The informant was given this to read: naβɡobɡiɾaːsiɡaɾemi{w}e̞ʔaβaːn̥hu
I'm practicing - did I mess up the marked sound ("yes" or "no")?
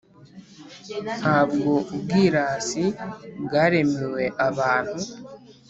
no